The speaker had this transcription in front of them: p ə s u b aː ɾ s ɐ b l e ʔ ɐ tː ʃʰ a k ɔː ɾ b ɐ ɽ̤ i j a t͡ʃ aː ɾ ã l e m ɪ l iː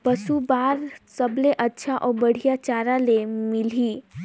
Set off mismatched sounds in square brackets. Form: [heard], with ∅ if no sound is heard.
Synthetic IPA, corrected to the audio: p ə s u b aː ɾ s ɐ b l e ʔ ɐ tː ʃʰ a [ʔ] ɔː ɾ b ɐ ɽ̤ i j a t͡ʃ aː ɾ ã l e m ɪ l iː